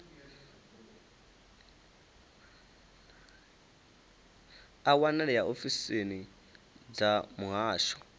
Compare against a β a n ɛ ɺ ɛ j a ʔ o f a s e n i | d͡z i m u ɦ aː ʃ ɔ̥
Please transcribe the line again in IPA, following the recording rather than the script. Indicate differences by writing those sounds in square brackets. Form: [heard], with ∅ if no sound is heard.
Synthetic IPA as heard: a [w] a n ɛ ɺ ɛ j a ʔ o f [i] s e n i | d͡z [a] m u ɦ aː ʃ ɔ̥